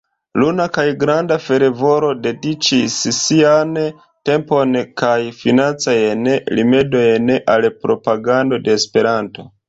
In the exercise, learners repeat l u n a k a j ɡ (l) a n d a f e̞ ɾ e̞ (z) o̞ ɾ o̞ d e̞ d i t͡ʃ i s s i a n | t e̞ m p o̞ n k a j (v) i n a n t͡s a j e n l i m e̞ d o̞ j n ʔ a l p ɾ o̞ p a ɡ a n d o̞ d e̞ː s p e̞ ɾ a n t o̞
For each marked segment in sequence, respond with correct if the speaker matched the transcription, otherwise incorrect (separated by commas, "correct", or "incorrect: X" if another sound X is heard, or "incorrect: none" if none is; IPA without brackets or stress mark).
incorrect: ɾ, incorrect: v, incorrect: f